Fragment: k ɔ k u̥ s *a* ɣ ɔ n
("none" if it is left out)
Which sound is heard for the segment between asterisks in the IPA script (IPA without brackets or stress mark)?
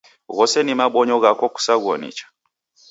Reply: a